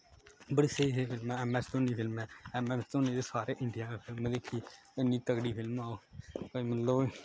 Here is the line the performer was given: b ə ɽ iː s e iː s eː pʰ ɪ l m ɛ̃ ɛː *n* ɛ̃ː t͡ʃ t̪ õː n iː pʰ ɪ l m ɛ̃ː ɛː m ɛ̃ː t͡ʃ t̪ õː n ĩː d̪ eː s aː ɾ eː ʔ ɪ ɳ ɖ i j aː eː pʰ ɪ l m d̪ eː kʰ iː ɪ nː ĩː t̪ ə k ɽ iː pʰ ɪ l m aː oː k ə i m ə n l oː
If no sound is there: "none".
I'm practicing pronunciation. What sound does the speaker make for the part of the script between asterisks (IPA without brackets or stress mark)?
m